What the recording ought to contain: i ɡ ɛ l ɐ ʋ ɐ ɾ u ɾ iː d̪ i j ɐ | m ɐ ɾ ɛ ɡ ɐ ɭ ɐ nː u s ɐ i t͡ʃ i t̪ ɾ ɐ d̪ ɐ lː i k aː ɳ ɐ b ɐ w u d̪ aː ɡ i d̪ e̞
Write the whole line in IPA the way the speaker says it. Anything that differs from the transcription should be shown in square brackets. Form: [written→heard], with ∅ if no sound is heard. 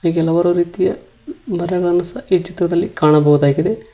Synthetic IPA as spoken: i ɡ ɛ l ɐ ʋ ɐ ɾ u ɾ iː [d̪→t̪] i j ɐ | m ɐ ɾ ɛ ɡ ɐ ɭ ɐ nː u s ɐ i t͡ʃ i t̪ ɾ ɐ d̪ ɐ lː i k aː ɳ ɐ b ɐ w u d̪ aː ɡ i d̪ e̞

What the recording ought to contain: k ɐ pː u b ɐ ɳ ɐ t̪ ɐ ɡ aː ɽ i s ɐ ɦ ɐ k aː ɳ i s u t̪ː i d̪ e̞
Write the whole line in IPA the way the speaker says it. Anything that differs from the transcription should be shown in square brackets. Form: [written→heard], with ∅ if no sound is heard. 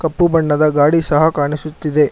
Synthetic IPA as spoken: k ɐ pː u b ɐ [ɳ→ɳː] ɐ [t̪→d̪] ɐ ɡ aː ɽ i s ɐ ɦ ɐ k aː ɳ i s u t̪ː i d̪ e̞

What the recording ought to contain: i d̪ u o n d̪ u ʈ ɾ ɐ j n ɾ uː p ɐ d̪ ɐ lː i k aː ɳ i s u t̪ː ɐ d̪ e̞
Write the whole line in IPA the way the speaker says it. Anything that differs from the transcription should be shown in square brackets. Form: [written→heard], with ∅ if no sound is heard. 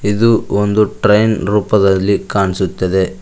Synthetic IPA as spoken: i d̪ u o n d̪ u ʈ ɾ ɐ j n ɾ uː p ɐ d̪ ɐ lː i k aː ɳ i s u t̪ː ɐ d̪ e̞

